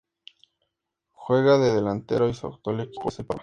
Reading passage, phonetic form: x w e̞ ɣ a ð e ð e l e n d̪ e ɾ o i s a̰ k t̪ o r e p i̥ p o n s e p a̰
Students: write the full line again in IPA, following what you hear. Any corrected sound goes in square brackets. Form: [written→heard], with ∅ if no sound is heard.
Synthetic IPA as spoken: x w e̞ ɣ a ð e ð e l [e→a] n [d̪→t̪] e ɾ o i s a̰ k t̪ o [r→l] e [p→k] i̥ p o [n→∅] s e p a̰